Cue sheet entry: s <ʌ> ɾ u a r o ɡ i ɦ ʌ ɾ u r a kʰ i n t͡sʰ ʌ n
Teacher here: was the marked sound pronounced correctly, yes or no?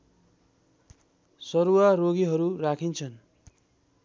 yes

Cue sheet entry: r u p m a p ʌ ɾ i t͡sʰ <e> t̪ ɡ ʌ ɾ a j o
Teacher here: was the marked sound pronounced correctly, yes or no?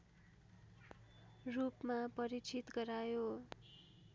no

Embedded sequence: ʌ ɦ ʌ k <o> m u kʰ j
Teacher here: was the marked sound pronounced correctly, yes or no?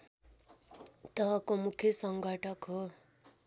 yes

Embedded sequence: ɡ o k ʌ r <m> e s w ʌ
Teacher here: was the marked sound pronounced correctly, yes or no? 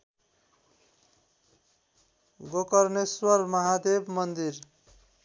no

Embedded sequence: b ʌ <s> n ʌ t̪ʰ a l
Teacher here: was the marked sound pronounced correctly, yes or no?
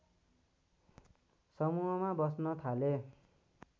yes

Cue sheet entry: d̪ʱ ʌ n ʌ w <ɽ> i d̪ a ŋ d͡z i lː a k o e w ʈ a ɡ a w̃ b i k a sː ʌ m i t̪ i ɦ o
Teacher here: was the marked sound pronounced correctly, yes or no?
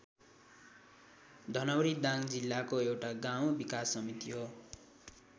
no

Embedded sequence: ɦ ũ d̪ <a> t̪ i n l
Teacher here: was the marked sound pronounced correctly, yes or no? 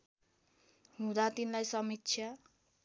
yes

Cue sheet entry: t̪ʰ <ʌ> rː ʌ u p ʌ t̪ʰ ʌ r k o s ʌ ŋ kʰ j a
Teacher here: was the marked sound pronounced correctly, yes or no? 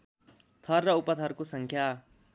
yes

